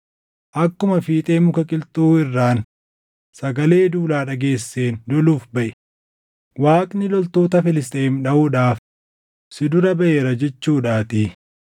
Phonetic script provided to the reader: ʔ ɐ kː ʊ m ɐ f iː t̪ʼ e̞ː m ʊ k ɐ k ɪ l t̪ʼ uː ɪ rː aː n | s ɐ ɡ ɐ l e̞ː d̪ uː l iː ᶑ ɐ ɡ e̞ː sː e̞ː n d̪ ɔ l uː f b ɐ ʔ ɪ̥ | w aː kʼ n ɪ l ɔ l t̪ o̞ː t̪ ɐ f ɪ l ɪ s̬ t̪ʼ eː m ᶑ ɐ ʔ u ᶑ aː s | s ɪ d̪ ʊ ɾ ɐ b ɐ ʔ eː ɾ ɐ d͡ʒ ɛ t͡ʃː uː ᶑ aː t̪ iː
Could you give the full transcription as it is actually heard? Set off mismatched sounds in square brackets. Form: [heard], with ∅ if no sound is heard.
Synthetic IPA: ʔ ɐ kː ʊ m ɐ f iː t̪ʼ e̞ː m ʊ k ɐ [kʼ] ɪ l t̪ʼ uː ɪ rː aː n | s ɐ ɡ ɐ l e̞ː d̪ uː l [aː] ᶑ ɐ ɡ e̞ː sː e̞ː n d̪ ɔ l uː f b ɐ ʔ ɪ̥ | w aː kʼ n ɪ l ɔ l t̪ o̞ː t̪ ɐ f ɪ l ɪ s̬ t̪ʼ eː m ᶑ ɐ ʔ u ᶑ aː [f] | s ɪ d̪ ʊ ɾ ɐ b ɐ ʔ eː ɾ ɐ d͡ʒ ɛ t͡ʃː uː ᶑ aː t̪ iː

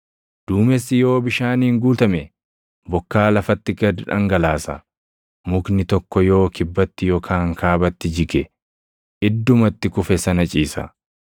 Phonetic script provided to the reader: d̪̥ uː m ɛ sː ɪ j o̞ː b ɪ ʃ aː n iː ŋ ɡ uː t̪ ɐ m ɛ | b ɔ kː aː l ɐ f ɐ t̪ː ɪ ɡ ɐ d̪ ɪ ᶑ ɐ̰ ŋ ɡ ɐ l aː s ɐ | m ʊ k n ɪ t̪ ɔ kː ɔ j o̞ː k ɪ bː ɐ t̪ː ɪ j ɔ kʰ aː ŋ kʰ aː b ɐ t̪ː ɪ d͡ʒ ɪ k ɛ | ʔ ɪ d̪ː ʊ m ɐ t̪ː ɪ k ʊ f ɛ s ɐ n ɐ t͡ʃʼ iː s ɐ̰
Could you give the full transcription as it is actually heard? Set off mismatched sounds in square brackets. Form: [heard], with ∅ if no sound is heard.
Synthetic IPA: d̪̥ uː m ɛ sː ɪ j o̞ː b ɪ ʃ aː n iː ŋ ɡ uː t̪ ɐ m ɛ | b ɔ kː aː l ɐ f ɐ t̪ː ɪ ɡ ɐ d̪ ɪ ᶑ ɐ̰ ŋ ɡ ɐ l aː s ɐ | m ʊ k n ɪ t̪ ɔ kː ɔ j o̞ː k ɪ bː ɐ t̪ː ɪ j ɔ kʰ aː ŋ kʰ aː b ɐ t̪ː ɪ d͡ʒ ɪ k ɛ | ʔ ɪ d̪ː ʊ m ɐ t̪ː ɪ k ʊ f ɛ s ɐ n ɐ t͡ʃʼ iː s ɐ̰

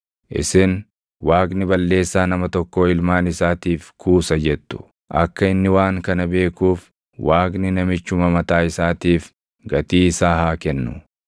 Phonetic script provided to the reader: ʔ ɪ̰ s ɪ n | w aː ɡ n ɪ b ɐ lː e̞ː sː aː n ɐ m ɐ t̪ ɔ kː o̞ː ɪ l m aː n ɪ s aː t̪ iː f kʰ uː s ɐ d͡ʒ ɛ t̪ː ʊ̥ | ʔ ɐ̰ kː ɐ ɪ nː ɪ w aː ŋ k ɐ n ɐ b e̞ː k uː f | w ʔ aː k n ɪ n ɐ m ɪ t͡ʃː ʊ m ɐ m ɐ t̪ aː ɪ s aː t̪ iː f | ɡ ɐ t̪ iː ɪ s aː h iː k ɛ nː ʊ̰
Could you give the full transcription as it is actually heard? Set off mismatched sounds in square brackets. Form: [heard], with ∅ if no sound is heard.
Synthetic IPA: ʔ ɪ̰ s ɪ n | w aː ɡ n ɪ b ɐ lː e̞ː sː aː n ɐ m ɐ t̪ ɔ kː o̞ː ɪ l m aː n ɪ s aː t̪ iː f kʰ uː s ɐ d͡ʒ ɛ t̪ː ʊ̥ | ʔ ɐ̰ kː ɐ ɪ nː ɪ w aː ŋ k ɐ n ɐ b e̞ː k uː f | w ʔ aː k n ɪ n ɐ m ɪ t͡ʃː ʊ m ɐ m ɐ t̪ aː ɪ s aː t̪ iː f | ɡ ɐ t̪ iː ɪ s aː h [aː] k ɛ nː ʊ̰

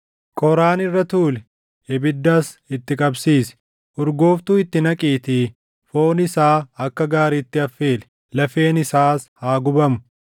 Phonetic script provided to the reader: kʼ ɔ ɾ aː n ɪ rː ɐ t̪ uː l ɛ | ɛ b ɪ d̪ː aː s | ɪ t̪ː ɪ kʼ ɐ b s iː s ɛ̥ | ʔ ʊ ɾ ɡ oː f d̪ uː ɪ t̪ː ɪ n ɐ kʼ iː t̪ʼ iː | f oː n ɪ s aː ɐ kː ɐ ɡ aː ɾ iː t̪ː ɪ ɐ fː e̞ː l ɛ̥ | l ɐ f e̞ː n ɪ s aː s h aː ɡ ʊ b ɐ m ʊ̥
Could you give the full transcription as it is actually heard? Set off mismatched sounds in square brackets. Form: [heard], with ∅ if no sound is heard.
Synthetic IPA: kʼ ɔ ɾ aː n ɪ rː ɐ t̪ uː l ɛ | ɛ b ɪ d̪ː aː s | ɪ t̪ː ɪ kʼ ɐ b s iː s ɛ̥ | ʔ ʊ ɾ ɡ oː f [t̪] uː ɪ t̪ː ɪ n ɐ kʼ iː [t̪] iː | f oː n ɪ s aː ɐ kː ɐ ɡ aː ɾ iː t̪ː ɪ ɐ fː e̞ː l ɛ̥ | l ɐ f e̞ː n ɪ s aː s h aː ɡ ʊ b ɐ m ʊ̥

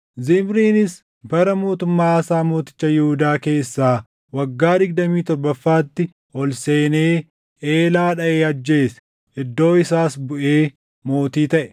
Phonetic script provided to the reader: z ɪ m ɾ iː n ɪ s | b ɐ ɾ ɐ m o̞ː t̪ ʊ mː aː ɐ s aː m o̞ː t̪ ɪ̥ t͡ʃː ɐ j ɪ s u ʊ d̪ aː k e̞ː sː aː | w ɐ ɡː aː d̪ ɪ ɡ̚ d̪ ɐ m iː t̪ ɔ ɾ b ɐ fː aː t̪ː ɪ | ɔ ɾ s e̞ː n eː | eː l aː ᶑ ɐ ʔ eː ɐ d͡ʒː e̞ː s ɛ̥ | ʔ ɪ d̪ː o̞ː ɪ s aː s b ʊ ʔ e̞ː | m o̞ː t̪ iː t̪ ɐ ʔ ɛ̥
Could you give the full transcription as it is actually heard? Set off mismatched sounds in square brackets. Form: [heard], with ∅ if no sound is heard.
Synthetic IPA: z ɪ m ɾ iː n ɪ s | b ɐ ɾ ɐ m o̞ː t̪ ʊ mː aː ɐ s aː m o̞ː t̪ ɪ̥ t͡ʃː ɐ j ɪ [h] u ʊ d̪ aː k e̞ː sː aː | w ɐ ɡː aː d̪ ɪ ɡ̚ d̪ ɐ m iː t̪ ɔ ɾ b ɐ fː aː t̪ː ɪ | ɔ [l] s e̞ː n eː | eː l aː ᶑ ɐ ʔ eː ɐ d͡ʒː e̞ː s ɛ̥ | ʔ ɪ d̪ː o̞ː ɪ s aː s b ʊ ʔ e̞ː | m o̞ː t̪ iː t̪ ɐ ʔ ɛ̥

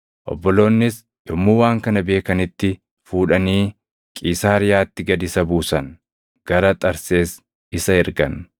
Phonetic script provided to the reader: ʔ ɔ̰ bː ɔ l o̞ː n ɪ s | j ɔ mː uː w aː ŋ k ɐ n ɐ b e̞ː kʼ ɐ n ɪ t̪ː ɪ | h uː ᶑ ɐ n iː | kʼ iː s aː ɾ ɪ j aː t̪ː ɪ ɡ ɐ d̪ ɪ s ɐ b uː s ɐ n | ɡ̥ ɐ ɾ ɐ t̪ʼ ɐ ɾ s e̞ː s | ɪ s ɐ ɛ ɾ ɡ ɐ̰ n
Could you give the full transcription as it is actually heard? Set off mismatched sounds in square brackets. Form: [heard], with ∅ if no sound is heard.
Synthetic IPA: ʔ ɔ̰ bː ɔ l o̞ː [nː] ɪ s | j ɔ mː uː w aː ŋ k ɐ n ɐ b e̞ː [k] ɐ n ɪ t̪ː ɪ | [f] uː ᶑ ɐ n iː | kʼ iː s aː ɾ ɪ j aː t̪ː ɪ ɡ ɐ d̪ ɪ s ɐ b uː s ɐ n | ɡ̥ ɐ ɾ ɐ t̪ʼ ɐ ɾ s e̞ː s | ɪ s ɐ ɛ ɾ ɡ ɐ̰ n

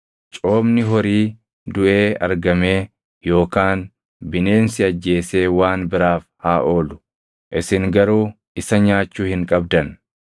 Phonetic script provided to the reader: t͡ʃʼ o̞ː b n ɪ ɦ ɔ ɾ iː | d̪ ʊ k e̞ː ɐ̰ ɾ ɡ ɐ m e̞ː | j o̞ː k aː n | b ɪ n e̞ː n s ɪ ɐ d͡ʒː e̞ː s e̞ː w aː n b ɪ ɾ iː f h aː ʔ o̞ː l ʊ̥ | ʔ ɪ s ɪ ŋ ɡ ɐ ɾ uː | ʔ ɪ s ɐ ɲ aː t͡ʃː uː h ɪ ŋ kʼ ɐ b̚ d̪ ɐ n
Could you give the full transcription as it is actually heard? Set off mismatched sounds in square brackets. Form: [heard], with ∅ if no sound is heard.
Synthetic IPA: t͡ʃʼ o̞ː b n ɪ ɦ ɔ ɾ iː | d̪ ʊ [ʔ] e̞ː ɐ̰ ɾ ɡ ɐ m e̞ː | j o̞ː k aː n | b ɪ n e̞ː n s ɪ ɐ d͡ʒː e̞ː s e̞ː w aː n b ɪ ɾ [aː] f h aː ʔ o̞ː l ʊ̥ | ʔ ɪ s ɪ ŋ ɡ ɐ ɾ uː | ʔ ɪ s ɐ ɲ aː t͡ʃː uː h ɪ ŋ kʼ ɐ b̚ d̪ ɐ n

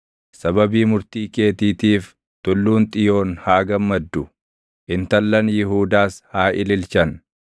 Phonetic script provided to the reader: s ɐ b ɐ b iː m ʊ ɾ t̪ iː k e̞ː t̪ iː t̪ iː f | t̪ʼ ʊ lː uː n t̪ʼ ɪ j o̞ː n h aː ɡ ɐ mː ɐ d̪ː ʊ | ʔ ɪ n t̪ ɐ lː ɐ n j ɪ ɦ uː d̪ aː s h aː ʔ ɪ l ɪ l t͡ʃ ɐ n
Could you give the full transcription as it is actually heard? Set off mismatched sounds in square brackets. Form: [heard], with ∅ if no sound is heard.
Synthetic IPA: s ɐ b ɐ b iː m ʊ ɾ t̪ iː k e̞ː t̪ iː t̪ iː f | [t̪] ʊ lː uː n t̪ʼ ɪ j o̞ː n h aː ɡ ɐ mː ɐ d̪ː ʊ | ʔ ɪ n t̪ ɐ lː ɐ n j ɪ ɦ uː d̪ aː s h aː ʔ ɪ l ɪ l t͡ʃ ɐ n

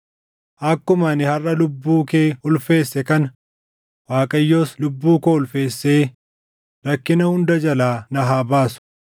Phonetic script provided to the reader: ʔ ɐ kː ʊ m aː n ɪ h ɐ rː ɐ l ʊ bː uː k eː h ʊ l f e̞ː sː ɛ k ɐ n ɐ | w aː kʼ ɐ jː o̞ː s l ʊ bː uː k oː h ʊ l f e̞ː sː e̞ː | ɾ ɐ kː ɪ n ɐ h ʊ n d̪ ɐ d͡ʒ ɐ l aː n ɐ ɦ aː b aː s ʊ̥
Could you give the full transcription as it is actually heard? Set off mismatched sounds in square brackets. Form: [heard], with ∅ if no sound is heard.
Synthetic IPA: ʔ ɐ kː ʊ m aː n ɪ h ɐ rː ɐ l ʊ bː uː k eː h ʊ l f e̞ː sː ɛ k ɐ n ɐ | w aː kʼ ɐ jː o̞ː s l ʊ bː uː k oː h ʊ l f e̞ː sː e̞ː | ɾ ɐ kː ɪ n ɐ h ʊ n d̪ ɐ d͡ʒ ɐ l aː n ɐ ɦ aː b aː s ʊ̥

